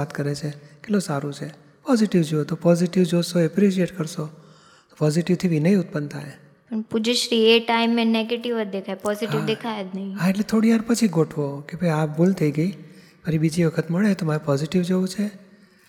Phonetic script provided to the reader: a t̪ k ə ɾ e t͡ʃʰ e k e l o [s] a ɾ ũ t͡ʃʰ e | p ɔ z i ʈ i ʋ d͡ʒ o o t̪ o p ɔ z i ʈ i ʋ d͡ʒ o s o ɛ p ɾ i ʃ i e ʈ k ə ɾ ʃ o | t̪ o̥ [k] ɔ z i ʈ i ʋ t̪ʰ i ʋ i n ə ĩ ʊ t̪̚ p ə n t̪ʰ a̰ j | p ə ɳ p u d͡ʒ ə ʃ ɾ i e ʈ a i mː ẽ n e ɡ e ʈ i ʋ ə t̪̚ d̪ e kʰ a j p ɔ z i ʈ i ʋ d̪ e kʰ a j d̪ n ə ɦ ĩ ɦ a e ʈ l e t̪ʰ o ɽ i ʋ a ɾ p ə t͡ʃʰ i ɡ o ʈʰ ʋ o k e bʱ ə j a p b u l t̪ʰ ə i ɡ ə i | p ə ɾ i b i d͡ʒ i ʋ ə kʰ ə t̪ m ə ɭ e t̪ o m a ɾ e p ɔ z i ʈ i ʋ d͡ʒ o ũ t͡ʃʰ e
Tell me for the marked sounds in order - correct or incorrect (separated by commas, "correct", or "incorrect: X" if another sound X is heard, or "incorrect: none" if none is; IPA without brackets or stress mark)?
correct, incorrect: p